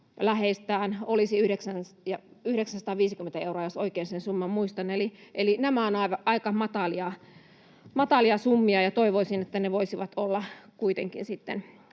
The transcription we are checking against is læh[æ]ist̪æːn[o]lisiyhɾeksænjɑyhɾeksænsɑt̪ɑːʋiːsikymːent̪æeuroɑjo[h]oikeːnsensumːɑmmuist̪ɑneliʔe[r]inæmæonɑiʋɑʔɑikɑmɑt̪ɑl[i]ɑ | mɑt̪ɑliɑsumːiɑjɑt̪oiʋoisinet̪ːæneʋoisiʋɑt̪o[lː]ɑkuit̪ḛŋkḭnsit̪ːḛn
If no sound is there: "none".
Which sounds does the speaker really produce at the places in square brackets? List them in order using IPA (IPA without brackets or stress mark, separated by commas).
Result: e, o, s, l, i, lː